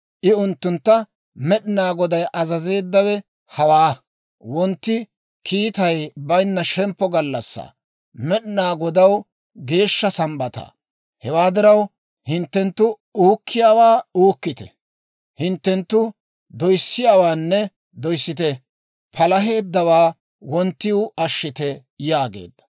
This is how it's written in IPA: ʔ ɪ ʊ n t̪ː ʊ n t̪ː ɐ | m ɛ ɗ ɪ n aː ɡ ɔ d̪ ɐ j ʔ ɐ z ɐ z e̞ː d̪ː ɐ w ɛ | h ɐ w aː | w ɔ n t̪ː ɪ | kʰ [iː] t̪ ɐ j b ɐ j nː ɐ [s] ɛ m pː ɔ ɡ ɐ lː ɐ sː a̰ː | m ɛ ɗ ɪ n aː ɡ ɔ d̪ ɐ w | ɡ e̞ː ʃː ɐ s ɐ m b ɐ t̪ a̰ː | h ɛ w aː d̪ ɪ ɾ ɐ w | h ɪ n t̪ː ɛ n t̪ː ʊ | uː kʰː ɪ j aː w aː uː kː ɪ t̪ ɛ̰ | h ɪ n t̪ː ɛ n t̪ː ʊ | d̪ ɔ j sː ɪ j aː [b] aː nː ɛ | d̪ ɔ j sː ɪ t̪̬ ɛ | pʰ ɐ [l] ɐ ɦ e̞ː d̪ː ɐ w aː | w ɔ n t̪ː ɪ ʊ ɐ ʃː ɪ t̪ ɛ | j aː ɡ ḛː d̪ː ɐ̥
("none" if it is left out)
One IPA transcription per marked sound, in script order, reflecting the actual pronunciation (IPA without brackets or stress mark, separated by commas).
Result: iː, ʃ, w, l